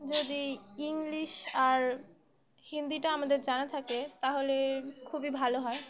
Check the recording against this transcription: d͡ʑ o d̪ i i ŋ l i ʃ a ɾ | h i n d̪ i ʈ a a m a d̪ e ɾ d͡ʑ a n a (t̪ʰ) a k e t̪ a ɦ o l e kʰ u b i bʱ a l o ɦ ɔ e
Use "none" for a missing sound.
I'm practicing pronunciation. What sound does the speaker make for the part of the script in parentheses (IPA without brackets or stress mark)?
t̪ʰ